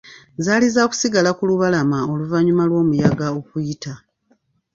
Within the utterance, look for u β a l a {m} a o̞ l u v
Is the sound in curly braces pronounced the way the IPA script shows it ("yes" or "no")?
yes